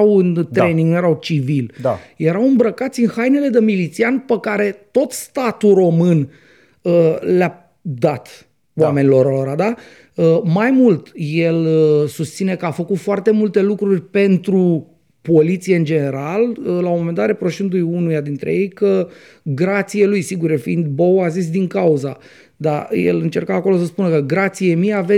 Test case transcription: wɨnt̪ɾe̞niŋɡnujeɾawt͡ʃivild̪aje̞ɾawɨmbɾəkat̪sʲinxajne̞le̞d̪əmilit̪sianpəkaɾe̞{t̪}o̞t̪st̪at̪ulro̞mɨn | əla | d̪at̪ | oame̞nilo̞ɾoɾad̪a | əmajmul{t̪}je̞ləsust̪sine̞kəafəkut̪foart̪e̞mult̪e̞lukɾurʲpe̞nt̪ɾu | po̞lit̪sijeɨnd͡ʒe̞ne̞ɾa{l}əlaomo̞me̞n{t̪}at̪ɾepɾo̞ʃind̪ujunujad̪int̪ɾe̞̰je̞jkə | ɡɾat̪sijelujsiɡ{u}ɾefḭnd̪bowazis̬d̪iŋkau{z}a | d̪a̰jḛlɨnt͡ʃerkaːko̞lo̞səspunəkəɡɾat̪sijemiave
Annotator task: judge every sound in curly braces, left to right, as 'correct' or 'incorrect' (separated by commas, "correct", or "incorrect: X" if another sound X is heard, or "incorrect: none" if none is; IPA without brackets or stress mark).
correct, correct, correct, incorrect: d̪, correct, correct